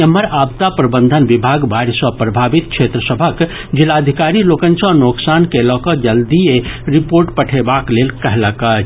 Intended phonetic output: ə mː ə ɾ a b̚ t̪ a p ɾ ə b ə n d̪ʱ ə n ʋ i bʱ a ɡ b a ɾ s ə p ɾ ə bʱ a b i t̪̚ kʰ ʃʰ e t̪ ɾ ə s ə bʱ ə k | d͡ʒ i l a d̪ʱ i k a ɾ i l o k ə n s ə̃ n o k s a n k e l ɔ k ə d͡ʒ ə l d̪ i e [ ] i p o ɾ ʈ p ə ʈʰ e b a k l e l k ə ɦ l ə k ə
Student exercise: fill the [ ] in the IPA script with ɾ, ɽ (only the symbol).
ɾ